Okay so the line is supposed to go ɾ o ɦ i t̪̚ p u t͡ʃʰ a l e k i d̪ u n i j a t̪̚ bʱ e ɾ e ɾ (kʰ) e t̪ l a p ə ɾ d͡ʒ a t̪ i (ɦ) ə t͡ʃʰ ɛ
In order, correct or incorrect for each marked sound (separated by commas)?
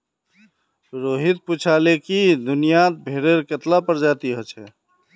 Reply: incorrect, correct